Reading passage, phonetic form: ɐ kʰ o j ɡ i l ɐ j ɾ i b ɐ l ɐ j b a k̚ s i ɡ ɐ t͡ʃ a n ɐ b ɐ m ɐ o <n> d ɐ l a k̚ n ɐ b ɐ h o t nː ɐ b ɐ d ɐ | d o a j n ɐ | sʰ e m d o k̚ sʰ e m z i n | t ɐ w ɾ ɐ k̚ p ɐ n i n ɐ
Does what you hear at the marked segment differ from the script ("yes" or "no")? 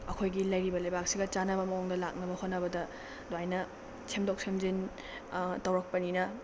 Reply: yes